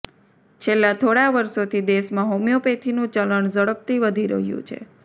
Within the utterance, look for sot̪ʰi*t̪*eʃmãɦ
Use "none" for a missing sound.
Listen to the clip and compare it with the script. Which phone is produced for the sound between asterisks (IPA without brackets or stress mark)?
d̪